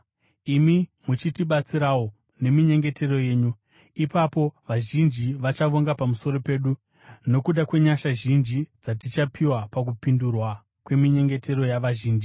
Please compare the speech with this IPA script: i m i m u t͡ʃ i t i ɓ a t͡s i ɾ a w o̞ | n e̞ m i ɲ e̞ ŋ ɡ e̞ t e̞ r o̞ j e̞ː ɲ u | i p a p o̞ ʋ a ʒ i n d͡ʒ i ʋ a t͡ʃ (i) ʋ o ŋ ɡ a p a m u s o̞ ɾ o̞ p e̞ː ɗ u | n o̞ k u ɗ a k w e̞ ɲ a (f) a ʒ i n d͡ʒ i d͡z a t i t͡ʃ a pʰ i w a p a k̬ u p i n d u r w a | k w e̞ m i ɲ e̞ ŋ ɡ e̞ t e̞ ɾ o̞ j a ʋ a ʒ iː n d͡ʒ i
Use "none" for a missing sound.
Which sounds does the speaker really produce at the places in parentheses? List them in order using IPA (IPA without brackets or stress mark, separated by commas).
a, ʃ